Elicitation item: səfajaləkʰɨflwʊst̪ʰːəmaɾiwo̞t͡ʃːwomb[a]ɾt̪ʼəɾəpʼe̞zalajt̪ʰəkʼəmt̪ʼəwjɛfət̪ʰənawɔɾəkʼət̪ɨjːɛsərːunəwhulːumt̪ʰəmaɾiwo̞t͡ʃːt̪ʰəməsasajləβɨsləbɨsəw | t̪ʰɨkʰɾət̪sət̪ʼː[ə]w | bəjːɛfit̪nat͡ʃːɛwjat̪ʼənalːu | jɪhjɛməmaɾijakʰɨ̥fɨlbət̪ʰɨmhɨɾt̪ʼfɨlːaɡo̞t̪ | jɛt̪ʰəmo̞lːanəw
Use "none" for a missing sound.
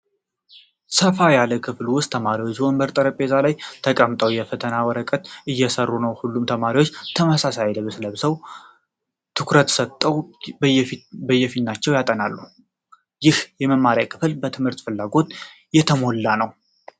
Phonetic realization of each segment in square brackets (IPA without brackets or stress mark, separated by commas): ə, ə